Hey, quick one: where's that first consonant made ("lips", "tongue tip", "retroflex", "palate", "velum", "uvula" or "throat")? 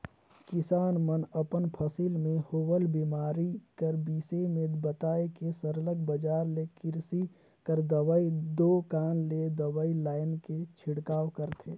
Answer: velum